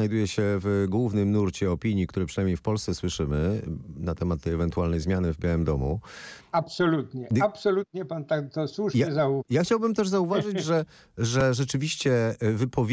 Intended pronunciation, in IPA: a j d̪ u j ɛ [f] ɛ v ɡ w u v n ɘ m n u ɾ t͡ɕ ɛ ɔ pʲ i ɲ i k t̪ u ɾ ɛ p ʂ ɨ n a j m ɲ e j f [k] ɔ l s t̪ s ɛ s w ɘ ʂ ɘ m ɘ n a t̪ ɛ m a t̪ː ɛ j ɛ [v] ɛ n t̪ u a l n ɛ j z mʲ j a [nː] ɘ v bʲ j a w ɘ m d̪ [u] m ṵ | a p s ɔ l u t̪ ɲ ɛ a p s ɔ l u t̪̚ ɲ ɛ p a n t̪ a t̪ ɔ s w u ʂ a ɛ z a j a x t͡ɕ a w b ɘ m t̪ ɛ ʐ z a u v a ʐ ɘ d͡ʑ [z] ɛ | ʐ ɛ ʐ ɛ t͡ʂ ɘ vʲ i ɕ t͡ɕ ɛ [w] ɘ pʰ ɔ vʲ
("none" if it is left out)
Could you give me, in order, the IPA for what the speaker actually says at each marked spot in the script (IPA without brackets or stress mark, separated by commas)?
ɕ, p, v, n, ɔ, ʐ, v